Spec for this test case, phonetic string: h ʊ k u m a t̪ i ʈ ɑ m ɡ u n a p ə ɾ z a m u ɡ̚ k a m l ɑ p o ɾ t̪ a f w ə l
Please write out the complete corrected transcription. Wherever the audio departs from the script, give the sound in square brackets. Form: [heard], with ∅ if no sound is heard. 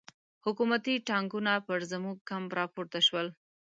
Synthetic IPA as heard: h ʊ k u m a t̪ i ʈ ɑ [ŋ] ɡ u n a p ə ɾ z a m u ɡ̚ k a m [ɾ] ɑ p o ɾ t̪ a [ʃ] w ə l